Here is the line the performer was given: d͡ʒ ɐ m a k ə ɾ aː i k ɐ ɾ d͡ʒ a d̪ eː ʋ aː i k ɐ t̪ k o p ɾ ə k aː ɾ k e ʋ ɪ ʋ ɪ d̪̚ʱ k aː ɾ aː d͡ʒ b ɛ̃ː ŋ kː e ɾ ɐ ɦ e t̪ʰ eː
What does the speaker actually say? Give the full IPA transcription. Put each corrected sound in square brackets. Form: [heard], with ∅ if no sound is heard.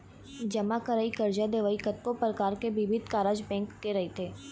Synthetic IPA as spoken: d͡ʒ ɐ m a k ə ɾ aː i k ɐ ɾ d͡ʒ a d̪ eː ʋ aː i k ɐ t̪ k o p ɾ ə k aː ɾ k e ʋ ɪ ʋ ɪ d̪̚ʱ k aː ɾ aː d͡ʒ b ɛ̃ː ŋ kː e ɾ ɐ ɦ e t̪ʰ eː